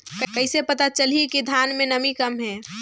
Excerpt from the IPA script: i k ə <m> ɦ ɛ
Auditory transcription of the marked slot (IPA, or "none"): m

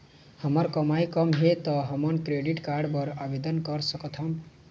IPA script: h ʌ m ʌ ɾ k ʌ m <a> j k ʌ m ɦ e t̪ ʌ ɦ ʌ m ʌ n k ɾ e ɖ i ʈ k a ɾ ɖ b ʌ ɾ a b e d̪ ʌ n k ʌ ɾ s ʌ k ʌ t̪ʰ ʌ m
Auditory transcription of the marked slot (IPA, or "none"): a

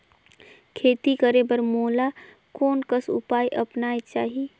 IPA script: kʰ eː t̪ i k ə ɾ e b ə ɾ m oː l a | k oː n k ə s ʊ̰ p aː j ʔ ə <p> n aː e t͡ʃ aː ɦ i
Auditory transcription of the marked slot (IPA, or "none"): p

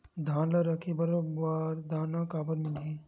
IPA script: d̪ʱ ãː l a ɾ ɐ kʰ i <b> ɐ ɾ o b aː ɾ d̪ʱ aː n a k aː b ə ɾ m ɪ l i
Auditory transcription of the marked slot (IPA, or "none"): b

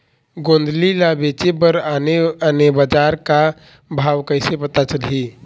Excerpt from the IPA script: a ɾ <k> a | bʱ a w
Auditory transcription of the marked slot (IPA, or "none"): k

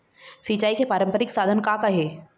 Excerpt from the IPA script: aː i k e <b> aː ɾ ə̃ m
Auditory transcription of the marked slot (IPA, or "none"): p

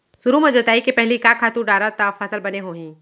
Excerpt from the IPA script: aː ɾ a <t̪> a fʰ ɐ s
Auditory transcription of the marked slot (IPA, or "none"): t̪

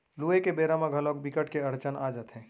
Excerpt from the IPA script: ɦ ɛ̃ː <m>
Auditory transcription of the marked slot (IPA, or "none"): none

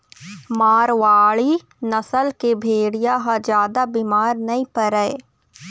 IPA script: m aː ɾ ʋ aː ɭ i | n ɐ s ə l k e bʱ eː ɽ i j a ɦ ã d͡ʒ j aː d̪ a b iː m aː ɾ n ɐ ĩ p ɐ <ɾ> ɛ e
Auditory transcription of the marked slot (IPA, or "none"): ɾ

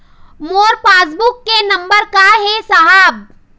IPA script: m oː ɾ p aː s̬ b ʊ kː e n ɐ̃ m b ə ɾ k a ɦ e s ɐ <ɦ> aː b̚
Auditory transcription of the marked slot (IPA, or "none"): ɦ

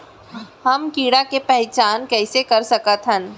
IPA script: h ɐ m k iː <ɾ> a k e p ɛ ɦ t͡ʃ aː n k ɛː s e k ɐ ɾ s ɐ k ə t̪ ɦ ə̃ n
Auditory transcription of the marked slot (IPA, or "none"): ɽ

